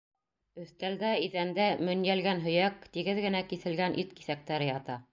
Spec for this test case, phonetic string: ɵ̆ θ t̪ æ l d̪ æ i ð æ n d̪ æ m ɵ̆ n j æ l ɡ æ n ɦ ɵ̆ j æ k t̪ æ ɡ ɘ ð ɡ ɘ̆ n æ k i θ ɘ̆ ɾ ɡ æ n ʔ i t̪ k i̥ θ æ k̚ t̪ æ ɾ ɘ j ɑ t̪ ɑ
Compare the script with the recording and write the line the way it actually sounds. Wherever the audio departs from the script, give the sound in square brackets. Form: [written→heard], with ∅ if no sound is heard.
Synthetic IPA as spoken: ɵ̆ θ t̪ æ l d̪ æ i ð æ n d̪ æ m ɵ̆ n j æ l ɡ æ n ɦ ɵ̆ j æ k t̪ [æ→i] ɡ ɘ ð ɡ ɘ̆ n æ k i θ ɘ̆ [ɾ→l] ɡ æ n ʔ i t̪ k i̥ θ æ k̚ t̪ æ ɾ ɘ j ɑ t̪ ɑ

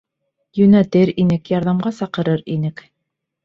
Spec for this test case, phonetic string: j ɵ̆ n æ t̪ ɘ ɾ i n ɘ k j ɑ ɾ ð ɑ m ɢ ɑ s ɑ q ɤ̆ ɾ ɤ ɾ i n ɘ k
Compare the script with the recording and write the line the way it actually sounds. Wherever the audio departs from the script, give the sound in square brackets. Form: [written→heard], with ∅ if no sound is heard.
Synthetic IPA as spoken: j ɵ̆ n æ t̪ ɘ ɾ i n ɘ k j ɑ ɾ ð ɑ m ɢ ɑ s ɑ q ɤ̆ ɾ ɤ ɾ i n ɘ k

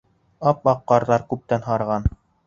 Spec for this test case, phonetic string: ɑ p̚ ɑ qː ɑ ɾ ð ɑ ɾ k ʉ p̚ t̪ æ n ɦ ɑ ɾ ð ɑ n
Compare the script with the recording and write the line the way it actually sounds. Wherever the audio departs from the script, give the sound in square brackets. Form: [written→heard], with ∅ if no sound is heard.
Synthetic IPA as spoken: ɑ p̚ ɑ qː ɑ ɾ ð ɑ ɾ k ʉ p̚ t̪ æ n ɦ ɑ ɾ [ð→ʁ] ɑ n

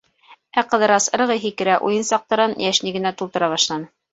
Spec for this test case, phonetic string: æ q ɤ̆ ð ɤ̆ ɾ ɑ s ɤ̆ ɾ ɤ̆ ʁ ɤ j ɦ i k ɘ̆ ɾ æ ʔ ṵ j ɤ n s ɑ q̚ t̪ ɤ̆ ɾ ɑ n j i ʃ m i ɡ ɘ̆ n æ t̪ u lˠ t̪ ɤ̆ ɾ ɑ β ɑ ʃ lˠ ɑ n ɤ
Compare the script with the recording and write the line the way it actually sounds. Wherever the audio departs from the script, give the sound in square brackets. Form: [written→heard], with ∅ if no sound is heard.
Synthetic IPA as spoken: æ q ɤ̆ ð ɤ̆ ɾ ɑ s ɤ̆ ɾ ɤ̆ ʁ ɤ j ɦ i k ɘ̆ ɾ æ ʔ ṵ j ɤ n s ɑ q̚ t̪ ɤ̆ ɾ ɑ n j [i→æ] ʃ [m→n] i ɡ ɘ̆ n æ t̪ u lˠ t̪ ɤ̆ ɾ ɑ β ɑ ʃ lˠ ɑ n ɤ

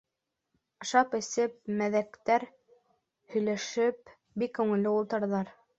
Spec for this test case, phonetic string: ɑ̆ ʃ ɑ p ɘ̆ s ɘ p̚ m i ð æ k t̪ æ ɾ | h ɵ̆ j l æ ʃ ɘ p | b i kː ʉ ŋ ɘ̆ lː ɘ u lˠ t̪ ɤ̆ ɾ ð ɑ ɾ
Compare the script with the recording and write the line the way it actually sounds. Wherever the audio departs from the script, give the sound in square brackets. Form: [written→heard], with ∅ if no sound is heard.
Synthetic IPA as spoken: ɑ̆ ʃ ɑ p ɘ̆ s ɘ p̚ m [i→æ] ð æ k t̪ æ ɾ | h ɵ̆ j l æ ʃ ɘ p | b i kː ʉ ŋ ɘ̆ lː ɘ u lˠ t̪ ɤ̆ ɾ ð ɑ ɾ

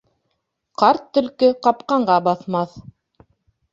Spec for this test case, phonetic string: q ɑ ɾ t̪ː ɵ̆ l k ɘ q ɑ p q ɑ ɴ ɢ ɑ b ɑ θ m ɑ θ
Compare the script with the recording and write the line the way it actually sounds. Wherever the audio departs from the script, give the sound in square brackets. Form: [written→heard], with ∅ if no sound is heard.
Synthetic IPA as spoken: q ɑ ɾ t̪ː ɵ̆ l k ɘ q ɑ p q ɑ ɴ ɢ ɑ b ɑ θ m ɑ θ

